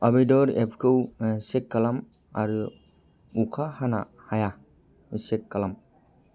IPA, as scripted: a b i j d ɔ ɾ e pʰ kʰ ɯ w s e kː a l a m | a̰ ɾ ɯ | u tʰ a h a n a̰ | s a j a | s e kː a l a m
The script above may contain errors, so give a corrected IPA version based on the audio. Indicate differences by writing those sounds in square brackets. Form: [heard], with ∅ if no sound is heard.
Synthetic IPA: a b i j d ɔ ɾ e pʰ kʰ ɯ w s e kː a l a m | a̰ ɾ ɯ | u [kʰ] a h a n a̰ | [h] a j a | s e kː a l a m